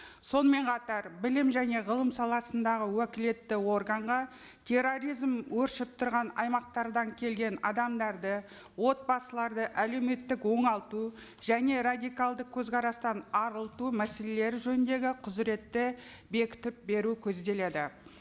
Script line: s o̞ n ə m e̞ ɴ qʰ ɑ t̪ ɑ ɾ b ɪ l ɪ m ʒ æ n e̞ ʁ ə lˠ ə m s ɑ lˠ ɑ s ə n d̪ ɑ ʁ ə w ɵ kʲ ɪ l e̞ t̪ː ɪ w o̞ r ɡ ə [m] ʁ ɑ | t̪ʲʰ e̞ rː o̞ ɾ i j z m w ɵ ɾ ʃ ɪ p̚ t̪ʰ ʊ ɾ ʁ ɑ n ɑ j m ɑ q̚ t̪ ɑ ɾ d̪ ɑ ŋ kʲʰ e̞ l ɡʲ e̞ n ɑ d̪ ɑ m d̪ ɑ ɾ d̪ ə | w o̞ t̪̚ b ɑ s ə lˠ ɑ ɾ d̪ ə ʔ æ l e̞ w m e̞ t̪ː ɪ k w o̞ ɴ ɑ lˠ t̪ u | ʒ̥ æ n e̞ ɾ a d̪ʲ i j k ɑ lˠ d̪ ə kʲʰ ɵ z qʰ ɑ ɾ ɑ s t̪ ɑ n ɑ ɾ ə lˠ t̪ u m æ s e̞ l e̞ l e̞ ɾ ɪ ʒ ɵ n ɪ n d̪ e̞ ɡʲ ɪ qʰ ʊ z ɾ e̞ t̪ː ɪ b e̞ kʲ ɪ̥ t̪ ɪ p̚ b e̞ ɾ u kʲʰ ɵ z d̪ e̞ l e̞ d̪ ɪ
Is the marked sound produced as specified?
no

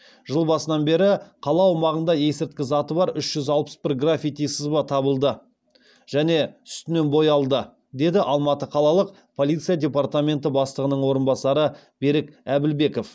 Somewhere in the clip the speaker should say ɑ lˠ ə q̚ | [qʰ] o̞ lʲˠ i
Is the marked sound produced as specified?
no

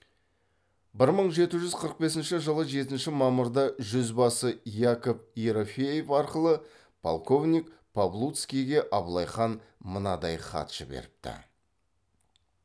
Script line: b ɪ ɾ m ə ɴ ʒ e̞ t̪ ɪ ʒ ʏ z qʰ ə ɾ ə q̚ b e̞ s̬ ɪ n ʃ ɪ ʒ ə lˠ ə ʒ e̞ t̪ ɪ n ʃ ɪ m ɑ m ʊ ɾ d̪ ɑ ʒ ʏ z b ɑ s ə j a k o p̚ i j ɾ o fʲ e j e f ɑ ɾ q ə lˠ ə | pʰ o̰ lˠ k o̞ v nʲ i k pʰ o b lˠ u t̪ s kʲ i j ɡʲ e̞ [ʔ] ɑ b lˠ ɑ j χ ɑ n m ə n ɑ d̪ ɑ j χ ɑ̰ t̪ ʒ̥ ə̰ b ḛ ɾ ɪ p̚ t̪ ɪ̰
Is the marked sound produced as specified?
yes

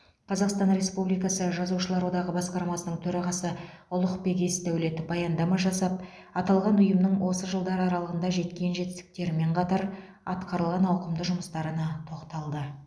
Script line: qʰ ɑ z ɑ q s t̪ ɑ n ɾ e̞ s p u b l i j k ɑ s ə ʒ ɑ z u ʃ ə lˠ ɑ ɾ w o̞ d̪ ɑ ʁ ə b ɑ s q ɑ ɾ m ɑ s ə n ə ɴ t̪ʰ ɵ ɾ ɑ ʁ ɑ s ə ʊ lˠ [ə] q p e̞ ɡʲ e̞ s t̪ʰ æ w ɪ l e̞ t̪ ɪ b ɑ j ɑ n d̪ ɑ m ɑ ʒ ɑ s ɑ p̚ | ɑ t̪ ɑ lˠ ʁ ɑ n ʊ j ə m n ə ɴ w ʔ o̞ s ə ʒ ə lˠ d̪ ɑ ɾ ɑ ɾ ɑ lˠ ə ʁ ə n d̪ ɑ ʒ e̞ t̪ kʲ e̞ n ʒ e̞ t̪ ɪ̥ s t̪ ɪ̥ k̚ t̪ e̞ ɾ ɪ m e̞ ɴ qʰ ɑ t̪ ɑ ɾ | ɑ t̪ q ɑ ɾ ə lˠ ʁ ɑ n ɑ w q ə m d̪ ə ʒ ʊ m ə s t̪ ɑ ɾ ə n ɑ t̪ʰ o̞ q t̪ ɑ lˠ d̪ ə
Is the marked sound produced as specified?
yes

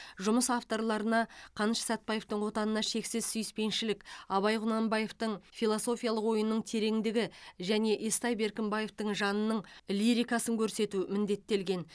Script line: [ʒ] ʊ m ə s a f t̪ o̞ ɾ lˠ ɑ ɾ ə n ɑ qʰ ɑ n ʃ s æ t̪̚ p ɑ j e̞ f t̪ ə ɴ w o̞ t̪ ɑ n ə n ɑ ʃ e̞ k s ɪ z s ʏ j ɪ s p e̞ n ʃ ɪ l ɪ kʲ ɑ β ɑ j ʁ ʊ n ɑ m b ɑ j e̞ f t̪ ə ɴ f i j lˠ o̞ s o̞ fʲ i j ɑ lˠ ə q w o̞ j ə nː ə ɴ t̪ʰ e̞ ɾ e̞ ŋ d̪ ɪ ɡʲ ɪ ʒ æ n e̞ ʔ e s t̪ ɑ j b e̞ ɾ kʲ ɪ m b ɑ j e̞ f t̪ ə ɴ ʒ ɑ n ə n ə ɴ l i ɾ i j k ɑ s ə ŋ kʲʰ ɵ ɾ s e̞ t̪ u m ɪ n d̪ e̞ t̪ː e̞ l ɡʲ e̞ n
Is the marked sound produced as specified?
yes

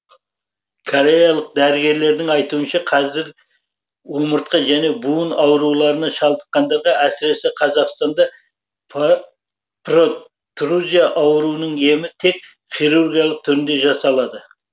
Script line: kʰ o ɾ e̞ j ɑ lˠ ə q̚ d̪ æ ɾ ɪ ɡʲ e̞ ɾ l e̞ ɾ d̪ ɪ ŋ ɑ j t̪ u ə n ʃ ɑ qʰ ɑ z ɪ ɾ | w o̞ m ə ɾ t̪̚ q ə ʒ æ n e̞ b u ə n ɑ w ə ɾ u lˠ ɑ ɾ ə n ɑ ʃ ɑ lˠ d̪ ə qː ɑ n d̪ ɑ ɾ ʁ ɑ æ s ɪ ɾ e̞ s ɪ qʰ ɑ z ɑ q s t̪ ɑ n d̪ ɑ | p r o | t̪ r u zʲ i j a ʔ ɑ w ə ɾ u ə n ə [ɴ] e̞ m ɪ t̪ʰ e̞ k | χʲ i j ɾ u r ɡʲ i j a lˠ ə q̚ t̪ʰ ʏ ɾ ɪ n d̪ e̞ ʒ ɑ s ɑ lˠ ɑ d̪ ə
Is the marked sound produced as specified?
yes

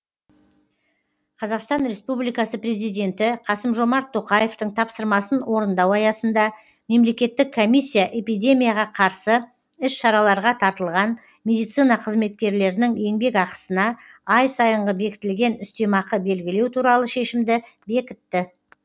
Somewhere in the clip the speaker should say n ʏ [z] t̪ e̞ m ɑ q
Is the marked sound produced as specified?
no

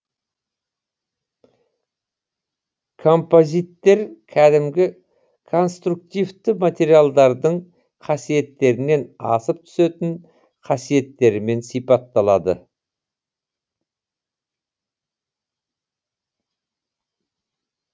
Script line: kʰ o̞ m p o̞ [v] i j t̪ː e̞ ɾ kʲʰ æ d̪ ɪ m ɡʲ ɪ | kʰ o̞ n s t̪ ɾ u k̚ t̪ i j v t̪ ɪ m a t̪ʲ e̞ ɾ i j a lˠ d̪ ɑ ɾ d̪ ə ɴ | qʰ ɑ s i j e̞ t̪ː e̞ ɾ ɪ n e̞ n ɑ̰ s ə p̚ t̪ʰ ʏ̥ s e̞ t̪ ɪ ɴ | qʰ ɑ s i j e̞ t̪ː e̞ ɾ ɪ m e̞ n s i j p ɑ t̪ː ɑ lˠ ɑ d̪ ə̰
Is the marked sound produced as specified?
no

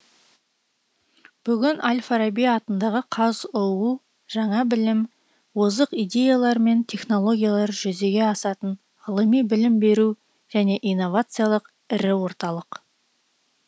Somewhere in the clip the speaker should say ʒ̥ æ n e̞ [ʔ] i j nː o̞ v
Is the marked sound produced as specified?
yes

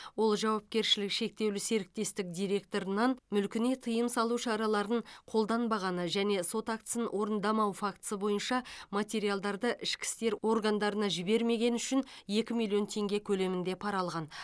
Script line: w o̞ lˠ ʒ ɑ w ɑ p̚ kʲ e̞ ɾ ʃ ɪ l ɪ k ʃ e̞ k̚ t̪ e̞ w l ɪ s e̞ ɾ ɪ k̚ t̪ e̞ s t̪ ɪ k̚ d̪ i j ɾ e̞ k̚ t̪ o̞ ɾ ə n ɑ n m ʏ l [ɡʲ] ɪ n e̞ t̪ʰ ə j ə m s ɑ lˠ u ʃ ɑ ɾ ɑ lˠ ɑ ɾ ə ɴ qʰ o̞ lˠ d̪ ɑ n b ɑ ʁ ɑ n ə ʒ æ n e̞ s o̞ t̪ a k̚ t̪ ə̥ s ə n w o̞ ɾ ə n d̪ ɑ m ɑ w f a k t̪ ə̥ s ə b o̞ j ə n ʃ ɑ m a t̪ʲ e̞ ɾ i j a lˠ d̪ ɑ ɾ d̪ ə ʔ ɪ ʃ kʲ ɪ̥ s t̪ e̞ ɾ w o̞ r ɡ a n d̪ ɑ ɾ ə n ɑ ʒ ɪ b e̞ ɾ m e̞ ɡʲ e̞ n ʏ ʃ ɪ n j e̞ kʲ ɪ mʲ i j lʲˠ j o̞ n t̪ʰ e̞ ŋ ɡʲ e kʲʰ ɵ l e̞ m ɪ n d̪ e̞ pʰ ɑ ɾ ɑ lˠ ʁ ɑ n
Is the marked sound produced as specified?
no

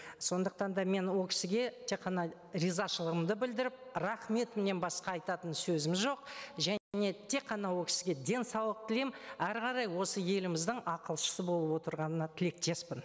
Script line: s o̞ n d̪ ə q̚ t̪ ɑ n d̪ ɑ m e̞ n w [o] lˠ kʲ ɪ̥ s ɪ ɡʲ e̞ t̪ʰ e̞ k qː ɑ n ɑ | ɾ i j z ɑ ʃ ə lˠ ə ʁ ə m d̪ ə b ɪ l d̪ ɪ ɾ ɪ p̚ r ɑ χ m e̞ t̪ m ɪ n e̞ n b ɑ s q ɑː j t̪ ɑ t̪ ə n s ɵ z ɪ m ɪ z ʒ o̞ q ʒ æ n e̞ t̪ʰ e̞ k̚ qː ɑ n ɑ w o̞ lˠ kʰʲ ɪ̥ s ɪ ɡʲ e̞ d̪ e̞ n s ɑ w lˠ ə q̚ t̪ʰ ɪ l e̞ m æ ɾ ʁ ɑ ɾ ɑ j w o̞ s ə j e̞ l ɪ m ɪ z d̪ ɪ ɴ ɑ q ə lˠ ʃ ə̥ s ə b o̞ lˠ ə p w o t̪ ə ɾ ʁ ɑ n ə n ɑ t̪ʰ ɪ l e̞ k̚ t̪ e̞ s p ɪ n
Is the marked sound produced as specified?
yes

